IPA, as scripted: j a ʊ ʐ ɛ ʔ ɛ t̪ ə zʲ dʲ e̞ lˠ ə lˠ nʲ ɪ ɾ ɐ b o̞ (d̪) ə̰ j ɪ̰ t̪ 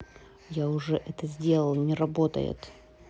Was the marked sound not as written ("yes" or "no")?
yes